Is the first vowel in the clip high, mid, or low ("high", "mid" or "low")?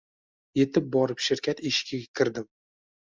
mid